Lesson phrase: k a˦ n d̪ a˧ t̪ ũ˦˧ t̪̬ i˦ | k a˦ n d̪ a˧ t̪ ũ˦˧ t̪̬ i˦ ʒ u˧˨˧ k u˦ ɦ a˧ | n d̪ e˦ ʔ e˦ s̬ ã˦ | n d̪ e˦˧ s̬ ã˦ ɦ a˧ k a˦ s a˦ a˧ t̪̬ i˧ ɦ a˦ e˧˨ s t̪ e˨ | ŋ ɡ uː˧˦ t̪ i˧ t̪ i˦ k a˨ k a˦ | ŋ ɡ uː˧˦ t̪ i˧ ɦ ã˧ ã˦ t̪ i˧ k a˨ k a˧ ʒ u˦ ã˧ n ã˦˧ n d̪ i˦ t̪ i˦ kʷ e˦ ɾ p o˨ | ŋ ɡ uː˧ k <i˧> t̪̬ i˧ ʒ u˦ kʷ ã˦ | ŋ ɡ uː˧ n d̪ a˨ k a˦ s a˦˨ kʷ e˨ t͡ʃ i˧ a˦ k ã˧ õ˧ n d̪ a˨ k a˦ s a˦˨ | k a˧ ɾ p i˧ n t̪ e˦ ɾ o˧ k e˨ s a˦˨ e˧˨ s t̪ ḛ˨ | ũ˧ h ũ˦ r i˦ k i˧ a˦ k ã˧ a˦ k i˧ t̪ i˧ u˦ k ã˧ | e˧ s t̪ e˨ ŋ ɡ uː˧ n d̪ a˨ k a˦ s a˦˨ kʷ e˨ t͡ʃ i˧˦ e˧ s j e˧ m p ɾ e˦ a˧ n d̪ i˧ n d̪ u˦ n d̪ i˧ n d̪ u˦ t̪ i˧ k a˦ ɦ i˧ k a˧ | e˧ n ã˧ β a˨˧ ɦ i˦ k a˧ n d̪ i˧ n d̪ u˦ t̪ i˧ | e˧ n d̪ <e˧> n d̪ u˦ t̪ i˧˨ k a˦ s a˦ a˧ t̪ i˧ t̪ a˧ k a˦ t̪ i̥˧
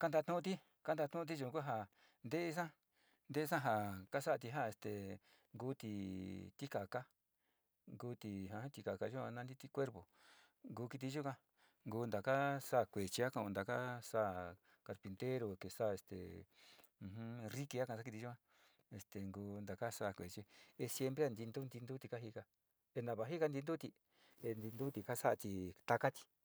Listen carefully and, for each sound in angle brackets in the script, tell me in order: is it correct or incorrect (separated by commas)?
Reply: correct, incorrect